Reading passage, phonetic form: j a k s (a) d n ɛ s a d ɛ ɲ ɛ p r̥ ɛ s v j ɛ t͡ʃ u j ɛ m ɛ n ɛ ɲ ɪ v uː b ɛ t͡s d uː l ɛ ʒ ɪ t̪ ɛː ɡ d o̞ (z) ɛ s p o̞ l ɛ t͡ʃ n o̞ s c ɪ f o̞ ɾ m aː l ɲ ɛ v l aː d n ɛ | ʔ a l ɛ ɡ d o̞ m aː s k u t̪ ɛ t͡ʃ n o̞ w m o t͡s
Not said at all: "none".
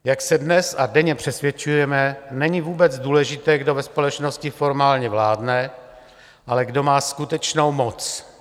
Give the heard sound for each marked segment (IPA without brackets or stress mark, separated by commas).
ɛ, v